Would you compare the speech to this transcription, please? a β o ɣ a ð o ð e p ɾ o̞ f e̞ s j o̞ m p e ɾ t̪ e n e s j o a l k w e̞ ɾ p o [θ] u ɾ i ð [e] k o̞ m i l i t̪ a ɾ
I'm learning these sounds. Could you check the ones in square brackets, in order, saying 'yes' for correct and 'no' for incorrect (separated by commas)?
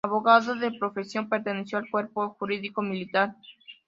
no, no